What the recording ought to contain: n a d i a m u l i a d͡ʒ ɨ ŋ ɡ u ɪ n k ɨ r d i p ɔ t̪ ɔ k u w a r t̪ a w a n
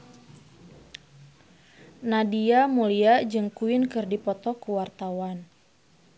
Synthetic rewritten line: n a d i a m u l i a d͡ʒ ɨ ŋ k u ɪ n k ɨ r d i p ɔ t̪ ɔ k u w a r t̪ a w a n